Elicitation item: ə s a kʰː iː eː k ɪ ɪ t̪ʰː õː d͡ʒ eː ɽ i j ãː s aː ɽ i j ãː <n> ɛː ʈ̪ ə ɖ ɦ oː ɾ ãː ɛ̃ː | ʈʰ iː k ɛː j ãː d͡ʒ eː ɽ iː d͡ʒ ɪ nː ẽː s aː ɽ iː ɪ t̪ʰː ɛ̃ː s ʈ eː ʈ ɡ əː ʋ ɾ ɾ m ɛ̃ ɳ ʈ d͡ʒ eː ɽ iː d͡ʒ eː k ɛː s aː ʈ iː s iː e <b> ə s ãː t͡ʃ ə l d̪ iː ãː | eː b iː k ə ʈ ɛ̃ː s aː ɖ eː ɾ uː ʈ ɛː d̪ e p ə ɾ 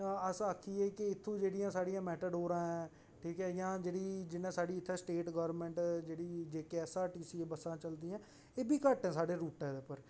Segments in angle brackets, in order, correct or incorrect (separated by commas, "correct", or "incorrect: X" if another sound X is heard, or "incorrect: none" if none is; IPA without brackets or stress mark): incorrect: m, correct